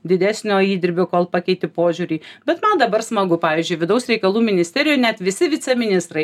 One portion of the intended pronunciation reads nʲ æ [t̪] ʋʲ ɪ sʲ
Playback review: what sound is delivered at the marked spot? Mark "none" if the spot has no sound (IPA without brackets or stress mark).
t̪